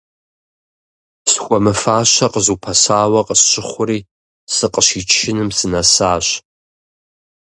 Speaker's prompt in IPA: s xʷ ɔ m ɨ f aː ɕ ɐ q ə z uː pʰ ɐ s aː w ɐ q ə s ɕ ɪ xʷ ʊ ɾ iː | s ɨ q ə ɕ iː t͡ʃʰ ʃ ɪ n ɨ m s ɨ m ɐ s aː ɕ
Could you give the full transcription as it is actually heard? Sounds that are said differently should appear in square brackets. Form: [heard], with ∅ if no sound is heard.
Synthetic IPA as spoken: s xʷ ɔ m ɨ f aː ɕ ɐ q ə z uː pʰ ɐ s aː w ɐ q ə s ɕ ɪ [χʷ] ʊ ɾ iː | s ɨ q ə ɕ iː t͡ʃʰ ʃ ɪ n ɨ m s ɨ [n] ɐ s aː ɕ